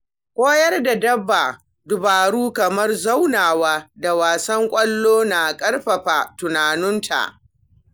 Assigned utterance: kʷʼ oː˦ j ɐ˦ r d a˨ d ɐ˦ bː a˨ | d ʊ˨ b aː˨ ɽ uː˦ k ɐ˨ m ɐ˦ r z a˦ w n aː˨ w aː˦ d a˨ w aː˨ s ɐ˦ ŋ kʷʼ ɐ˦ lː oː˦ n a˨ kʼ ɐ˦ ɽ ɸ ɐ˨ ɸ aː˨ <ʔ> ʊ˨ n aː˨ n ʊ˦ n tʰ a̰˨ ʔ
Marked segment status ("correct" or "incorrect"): incorrect